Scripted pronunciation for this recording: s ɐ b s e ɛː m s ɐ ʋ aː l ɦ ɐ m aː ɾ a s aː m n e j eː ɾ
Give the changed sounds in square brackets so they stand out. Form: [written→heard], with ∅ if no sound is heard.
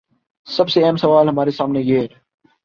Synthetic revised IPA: s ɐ b s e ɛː m s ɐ ʋ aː l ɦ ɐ m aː ɾ [a→e] s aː m n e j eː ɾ